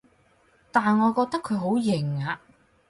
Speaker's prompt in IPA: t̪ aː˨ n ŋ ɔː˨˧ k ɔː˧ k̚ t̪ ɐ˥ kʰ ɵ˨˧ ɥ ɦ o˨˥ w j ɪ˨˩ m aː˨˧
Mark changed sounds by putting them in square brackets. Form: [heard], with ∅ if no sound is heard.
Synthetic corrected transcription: t̪ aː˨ n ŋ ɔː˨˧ k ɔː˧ k̚ t̪ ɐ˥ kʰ ɵ˨˧ ɥ ɦ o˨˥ w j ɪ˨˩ [ŋ] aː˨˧

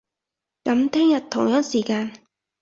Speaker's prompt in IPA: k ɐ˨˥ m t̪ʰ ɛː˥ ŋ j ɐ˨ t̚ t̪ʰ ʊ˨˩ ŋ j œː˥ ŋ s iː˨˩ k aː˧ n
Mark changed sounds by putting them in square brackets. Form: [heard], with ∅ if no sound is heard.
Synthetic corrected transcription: k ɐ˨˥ m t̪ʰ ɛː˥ ŋ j ɐ˨ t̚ t̪ʰ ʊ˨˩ ŋ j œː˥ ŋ s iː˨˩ k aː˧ n

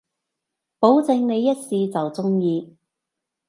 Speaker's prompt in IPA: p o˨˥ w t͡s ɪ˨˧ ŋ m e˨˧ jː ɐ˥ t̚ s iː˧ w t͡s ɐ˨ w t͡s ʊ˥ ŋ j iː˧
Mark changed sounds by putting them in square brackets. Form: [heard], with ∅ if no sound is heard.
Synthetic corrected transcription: p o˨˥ w t͡s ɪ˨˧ ŋ [n] e˨˧ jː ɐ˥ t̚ s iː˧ [∅] t͡s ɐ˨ w t͡s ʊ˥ ŋ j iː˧

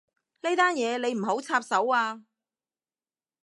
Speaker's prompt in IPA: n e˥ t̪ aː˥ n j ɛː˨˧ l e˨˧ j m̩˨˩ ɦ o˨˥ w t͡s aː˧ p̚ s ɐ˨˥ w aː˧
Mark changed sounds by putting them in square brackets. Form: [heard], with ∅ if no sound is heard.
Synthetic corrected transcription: n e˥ t̪ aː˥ n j ɛː˨˧ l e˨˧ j m̩˨˩ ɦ o˨˥ w [t͡sʰ] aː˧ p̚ s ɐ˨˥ w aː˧

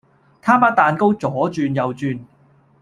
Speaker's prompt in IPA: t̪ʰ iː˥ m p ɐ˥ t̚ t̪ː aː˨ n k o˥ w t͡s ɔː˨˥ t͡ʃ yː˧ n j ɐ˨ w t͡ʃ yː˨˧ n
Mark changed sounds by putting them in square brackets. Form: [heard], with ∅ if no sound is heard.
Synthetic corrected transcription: t̪ʰ [aː˥] m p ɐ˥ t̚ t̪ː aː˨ n k o˥ w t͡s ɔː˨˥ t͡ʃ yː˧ n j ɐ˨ w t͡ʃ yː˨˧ n

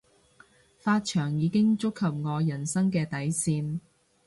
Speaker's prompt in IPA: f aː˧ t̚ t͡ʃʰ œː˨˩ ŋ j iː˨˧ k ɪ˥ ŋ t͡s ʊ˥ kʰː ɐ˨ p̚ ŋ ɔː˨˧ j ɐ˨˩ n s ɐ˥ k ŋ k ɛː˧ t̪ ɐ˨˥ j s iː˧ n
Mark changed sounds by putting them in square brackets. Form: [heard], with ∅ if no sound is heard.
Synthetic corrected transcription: f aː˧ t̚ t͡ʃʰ œː˨˩ ŋ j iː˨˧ k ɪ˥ ŋ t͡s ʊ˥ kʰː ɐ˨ p̚ ŋ ɔː˨˧ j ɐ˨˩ n s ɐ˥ [∅] ŋ k ɛː˧ t̪ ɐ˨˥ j s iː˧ n

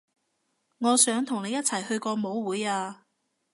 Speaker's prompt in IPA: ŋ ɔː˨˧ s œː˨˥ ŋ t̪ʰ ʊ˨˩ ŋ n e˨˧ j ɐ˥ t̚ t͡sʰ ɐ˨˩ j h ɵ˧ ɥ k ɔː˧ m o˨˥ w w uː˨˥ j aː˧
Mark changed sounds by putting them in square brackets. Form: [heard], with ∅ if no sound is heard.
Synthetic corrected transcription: ŋ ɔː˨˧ s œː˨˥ ŋ t̪ʰ ʊ˨˩ ŋ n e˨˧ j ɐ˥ t̚ t͡sʰ ɐ˨˩ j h ɵ˧ ɥ k ɔː˧ m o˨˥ w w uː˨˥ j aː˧

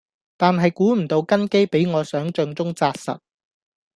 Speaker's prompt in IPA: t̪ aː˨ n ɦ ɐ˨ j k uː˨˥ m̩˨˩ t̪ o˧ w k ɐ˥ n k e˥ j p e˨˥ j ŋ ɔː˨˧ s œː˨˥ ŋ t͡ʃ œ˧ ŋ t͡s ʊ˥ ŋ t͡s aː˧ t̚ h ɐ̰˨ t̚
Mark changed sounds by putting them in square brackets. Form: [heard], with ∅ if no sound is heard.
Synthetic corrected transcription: t̪ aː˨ n ɦ ɐ˨ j k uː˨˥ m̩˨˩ t̪ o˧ w k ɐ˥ n k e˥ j p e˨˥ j ŋ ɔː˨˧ s œː˨˥ ŋ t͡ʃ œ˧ ŋ t͡s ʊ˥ ŋ t͡s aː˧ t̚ [s] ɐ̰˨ t̚

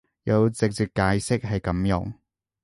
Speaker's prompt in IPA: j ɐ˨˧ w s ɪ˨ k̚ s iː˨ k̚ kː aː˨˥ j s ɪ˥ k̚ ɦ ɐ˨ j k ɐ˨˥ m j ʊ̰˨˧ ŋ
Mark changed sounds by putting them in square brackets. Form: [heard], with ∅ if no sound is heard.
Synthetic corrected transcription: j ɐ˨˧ w [t͡s] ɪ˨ k̚ [t͡s] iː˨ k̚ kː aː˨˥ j s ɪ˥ k̚ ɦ ɐ˨ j k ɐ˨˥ m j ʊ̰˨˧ ŋ

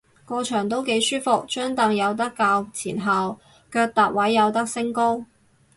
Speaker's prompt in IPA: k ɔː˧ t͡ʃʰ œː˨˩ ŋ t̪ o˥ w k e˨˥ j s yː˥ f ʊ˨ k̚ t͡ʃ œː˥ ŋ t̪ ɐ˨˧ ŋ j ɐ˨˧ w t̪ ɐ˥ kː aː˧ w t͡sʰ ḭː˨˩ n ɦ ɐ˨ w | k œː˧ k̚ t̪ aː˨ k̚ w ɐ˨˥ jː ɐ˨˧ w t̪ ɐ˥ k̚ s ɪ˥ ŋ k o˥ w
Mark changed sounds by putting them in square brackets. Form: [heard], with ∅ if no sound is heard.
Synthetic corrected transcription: k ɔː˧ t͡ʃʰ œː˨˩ ŋ t̪ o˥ w k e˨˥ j s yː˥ f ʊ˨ k̚ t͡ʃ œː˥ ŋ t̪ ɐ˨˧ ŋ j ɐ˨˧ w t̪ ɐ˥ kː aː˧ w t͡sʰ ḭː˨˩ n ɦ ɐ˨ w | k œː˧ k̚ t̪ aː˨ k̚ w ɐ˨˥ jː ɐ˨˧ w t̪ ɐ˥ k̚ s ɪ˥ ŋ k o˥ w

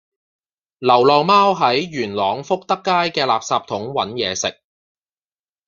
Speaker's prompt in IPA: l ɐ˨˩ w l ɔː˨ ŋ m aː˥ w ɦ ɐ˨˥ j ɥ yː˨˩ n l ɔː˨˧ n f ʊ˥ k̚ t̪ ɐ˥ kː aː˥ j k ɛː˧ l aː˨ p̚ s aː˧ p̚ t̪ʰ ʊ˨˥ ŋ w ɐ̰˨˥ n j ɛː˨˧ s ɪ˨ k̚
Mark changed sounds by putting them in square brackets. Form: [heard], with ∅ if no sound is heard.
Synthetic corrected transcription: l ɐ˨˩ w l ɔː˨ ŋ m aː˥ w ɦ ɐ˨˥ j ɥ yː˨˩ n l ɔː˨˧ [ŋ] f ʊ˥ k̚ t̪ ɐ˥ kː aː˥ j k ɛː˧ l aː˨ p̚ s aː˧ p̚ t̪ʰ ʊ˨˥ ŋ w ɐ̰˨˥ n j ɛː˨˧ s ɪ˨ k̚

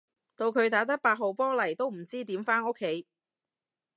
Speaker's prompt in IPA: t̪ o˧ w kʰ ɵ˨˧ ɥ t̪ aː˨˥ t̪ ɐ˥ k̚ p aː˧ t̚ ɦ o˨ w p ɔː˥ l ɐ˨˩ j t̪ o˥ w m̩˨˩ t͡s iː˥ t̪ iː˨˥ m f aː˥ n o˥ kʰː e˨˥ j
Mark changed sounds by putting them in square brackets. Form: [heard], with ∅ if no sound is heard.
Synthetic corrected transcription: t̪ o˧ w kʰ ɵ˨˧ ɥ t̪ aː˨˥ t̪ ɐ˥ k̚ p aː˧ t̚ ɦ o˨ w p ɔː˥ l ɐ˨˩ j t̪ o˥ w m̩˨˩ t͡s iː˥ t̪ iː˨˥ m f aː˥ n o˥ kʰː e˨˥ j

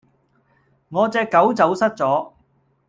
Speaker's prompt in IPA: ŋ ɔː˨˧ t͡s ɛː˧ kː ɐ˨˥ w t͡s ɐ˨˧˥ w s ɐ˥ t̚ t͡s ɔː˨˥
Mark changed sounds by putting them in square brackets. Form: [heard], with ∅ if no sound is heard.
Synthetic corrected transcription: ŋ ɔː˨˧ t͡s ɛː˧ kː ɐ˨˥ w t͡s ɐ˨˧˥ w s ɐ˥ t̚ t͡s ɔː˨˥

